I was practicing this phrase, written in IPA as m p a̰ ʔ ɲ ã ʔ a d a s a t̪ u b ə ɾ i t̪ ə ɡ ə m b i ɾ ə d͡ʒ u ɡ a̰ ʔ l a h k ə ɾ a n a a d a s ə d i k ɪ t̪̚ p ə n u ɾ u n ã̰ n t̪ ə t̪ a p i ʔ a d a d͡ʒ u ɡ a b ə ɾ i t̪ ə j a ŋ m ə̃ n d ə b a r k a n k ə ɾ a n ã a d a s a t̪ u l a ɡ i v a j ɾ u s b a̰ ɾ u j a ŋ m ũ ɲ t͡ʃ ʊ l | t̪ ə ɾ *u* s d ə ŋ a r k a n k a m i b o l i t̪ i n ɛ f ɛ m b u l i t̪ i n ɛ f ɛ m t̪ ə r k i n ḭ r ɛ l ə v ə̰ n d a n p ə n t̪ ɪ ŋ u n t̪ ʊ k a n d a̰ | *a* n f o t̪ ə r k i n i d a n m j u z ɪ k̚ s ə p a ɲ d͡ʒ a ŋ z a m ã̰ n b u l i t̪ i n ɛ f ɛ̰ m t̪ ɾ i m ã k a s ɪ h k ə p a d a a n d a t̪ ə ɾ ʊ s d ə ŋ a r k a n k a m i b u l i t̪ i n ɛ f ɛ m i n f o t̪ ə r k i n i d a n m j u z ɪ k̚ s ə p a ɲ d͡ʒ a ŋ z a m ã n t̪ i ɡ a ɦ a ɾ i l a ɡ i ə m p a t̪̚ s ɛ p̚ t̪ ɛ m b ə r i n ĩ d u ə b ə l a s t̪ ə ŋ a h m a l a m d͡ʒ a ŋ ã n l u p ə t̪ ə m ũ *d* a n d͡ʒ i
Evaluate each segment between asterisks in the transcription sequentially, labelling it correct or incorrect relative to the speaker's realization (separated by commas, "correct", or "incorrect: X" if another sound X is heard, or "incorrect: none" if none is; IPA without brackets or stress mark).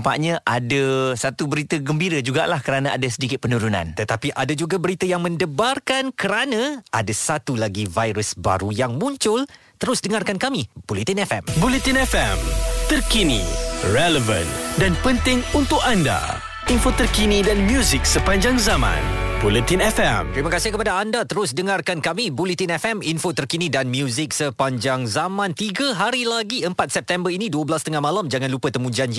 incorrect: ʊ, incorrect: i, incorrect: d͡ʒ